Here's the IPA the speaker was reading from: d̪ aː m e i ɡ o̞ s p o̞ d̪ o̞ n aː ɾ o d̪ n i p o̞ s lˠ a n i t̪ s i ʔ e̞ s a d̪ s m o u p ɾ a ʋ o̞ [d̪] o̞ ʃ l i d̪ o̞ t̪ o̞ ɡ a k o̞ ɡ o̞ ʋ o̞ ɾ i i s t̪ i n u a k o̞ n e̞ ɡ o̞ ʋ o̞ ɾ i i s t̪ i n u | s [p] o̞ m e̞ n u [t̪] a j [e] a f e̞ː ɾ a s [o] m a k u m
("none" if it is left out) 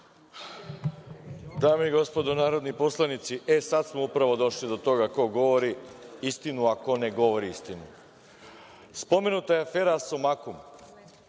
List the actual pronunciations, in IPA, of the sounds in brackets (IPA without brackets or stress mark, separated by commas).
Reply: d̪, p, t̪, e, o